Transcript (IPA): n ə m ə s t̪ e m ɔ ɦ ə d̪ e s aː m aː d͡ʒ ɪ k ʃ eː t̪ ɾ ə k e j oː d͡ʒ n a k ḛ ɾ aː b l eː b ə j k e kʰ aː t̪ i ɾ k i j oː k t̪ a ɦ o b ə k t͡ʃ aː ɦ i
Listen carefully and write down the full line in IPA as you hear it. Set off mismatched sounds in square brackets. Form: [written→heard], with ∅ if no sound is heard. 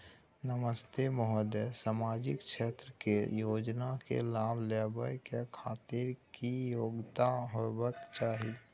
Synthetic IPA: n ə m ə s t̪ e m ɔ ɦ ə d̪ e s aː m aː d͡ʒ ɪ k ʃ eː t̪ ɾ ə k e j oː d͡ʒ n a k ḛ [ɾ→l] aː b l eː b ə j k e kʰ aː t̪ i ɾ k i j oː [k→ɡ] t̪ a ɦ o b ə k t͡ʃ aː ɦ i